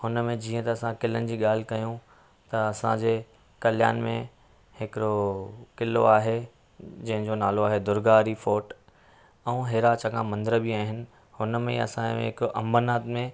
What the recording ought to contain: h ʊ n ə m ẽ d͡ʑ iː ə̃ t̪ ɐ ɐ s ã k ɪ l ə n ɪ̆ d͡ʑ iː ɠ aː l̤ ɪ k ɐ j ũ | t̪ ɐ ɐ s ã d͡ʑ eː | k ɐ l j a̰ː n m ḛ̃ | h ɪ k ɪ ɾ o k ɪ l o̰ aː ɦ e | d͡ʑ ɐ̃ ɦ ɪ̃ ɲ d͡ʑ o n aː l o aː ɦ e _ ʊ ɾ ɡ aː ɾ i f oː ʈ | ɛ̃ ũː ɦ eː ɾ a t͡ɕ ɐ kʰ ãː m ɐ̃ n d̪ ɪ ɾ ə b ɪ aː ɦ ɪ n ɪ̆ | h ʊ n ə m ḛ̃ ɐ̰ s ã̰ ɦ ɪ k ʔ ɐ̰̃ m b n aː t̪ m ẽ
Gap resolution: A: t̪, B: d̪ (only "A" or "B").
B